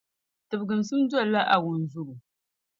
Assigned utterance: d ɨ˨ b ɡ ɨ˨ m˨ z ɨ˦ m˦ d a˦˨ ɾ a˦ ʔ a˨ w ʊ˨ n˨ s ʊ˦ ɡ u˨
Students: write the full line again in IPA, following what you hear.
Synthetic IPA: t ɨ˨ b ɡ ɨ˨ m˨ s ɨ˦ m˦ d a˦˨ l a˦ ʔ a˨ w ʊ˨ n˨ z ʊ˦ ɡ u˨